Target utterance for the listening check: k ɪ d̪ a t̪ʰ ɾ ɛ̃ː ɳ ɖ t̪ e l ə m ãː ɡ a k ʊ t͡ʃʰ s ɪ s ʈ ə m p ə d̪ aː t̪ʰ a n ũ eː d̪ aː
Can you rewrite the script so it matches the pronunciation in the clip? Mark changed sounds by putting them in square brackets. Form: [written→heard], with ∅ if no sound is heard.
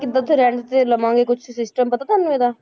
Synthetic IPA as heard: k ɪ d̪ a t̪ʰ ɾ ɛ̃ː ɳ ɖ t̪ e l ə m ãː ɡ [a→e] k ʊ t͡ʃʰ s ɪ s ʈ ə m p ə [d̪→t̪] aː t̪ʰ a n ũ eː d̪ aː